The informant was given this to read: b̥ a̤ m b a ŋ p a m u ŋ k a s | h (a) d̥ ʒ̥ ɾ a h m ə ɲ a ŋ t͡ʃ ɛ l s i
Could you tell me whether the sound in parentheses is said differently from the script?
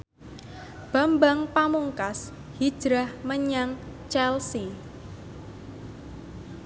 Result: yes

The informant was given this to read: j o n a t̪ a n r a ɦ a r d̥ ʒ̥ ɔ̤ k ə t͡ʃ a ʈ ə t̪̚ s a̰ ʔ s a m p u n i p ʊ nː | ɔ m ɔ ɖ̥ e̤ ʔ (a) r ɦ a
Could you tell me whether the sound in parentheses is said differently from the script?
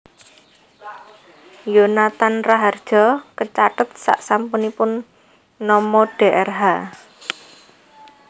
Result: yes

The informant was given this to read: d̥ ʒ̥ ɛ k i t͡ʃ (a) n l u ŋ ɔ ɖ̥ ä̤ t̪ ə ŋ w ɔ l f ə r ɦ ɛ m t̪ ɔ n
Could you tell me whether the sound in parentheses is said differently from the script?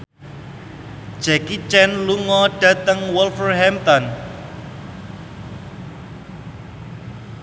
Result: yes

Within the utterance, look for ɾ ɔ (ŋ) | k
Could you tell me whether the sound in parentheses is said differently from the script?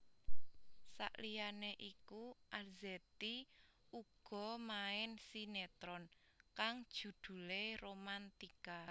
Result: yes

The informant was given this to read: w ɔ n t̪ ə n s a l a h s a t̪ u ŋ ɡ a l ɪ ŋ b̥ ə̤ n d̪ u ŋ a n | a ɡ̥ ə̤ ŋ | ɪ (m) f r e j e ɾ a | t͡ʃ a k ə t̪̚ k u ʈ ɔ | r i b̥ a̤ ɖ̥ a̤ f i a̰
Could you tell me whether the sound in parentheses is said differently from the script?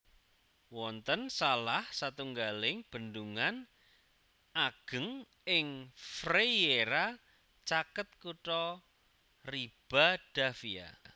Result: yes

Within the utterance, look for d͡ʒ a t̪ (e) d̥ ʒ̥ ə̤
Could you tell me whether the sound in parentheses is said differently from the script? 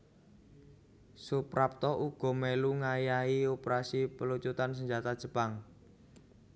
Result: yes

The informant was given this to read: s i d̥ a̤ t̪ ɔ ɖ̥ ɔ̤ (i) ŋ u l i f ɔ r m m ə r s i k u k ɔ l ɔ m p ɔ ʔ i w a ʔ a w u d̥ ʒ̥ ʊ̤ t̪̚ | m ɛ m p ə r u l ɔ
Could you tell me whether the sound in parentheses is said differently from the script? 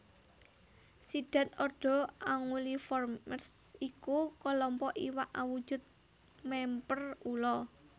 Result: yes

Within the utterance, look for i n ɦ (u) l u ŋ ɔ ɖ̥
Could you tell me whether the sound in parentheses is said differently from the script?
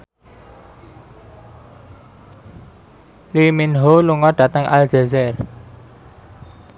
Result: yes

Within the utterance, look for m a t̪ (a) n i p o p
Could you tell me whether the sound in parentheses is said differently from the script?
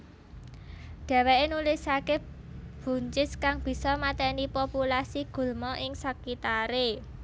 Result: yes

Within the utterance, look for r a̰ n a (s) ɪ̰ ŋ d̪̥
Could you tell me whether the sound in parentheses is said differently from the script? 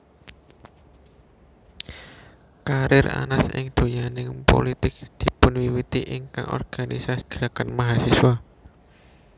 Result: no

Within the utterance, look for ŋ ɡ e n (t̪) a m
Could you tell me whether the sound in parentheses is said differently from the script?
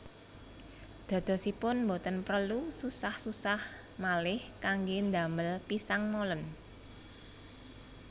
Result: yes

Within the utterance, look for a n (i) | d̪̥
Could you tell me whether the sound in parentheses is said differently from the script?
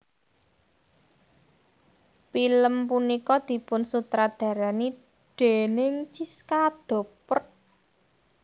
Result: no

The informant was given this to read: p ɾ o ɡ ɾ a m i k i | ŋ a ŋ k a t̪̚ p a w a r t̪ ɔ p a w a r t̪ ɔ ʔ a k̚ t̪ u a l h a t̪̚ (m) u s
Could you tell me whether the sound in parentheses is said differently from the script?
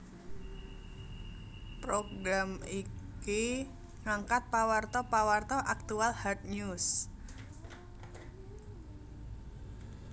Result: yes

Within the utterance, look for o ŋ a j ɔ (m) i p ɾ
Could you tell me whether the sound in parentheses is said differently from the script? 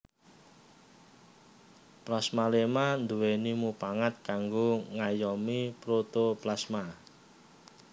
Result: no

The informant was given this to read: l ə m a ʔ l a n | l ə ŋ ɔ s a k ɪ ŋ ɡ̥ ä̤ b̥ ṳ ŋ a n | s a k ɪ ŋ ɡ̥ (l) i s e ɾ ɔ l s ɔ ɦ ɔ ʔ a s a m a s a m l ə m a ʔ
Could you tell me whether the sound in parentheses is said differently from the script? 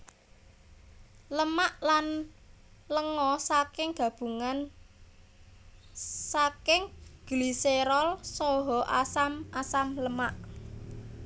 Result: no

